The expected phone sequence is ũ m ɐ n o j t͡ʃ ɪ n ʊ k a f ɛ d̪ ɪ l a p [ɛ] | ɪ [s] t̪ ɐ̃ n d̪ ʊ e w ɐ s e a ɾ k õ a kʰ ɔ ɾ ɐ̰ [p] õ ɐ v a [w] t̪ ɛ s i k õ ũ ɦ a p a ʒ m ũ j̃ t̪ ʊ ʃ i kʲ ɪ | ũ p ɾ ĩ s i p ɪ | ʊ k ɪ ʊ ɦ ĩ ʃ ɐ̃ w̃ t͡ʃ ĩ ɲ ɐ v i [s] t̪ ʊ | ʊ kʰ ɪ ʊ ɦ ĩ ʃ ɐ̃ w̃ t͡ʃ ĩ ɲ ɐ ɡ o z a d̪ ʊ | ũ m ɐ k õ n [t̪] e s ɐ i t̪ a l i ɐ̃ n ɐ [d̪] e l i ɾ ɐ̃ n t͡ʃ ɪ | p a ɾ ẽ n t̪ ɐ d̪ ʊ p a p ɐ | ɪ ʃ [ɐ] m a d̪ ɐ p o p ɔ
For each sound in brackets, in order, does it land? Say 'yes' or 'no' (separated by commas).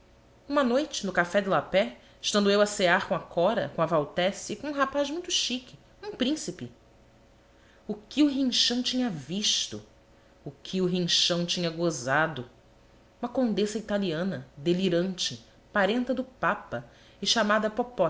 yes, no, no, yes, no, no, yes, no